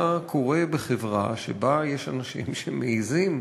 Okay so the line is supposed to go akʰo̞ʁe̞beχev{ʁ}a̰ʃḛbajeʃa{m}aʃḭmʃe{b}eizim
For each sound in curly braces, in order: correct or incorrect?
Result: correct, incorrect: n, incorrect: m

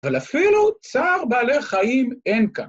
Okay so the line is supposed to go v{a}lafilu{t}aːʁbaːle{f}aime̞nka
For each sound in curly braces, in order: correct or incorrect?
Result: correct, incorrect: t͡s, incorrect: χ

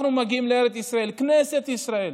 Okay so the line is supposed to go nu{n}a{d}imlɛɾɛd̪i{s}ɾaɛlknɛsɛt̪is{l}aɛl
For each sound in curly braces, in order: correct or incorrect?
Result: incorrect: m, incorrect: ɡ, correct, incorrect: ɾ

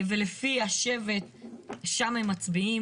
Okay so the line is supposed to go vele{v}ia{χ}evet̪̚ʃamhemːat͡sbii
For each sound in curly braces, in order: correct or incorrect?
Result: incorrect: f, incorrect: ʃ

